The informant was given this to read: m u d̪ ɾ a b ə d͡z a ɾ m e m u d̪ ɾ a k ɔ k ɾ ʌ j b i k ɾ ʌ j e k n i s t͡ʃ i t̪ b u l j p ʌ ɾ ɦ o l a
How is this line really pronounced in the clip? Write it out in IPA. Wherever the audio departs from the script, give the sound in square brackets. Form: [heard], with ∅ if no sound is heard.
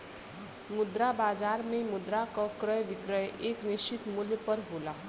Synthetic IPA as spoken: m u d̪ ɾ a b [a] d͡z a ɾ m e m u d̪ ɾ a k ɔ k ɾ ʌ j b i k ɾ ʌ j e k n i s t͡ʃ i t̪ [m] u l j p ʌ ɾ ɦ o l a